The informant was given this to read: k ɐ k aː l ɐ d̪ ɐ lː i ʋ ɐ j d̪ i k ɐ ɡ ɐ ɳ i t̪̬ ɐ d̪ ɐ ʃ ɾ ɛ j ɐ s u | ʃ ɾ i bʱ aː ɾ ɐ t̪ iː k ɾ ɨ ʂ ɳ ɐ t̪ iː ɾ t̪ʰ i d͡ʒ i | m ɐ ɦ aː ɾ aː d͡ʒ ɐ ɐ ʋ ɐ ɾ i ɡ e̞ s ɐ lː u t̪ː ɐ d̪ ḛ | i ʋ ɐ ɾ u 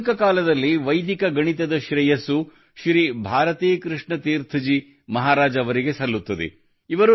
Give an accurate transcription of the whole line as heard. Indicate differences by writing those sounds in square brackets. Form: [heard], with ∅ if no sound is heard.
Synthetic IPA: k ɐ k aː l ɐ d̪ ɐ lː i ʋ ɐ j d̪ i k ɐ ɡ ɐ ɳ i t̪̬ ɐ d̪ ɐ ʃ ɾ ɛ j ɐ s u | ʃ ɾ i bʱ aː ɾ ɐ t̪ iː k ɾ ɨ ʂ ɳ ɐ t̪ iː ɾ t̪ʰ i d͡ʒ i | m ɐ ɦ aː ɾ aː d͡ʒ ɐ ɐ ʋ ɐ ɾ i ɡ e̞ s ɐ lː u t̪ː ɐ d̪ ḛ | i ʋ ɐ ɾ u